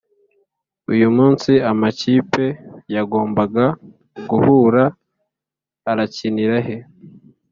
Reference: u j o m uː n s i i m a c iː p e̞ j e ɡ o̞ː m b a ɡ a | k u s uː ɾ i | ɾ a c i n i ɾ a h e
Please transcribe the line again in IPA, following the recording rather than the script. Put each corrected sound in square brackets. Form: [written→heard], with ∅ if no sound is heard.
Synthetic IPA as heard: u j [o→u] m uː n s i [i→a] m a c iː p e̞ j [e→a] ɡ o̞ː m b a ɡ a | [k→ɡ] u [s→h] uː ɾ [i→a] | ɾ a c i n i ɾ a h e